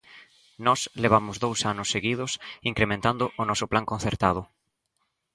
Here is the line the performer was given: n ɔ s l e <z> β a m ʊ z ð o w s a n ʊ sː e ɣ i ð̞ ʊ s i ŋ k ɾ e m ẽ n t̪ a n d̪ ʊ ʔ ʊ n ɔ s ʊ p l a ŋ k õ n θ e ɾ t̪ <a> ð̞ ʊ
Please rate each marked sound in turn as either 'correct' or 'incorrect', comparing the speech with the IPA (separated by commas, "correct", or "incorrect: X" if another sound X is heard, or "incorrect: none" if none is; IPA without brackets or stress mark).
incorrect: none, correct